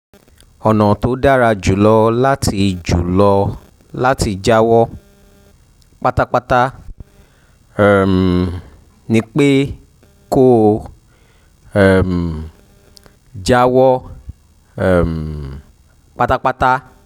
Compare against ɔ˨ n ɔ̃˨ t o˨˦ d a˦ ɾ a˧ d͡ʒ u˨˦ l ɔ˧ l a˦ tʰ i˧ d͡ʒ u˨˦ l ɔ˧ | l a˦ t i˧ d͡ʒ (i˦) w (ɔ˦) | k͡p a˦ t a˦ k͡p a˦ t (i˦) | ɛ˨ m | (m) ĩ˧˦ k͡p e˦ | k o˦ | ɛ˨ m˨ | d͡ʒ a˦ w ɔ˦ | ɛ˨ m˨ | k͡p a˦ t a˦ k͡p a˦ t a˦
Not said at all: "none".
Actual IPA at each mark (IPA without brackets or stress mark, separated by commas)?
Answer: a˦, ɔ˦, a˦, n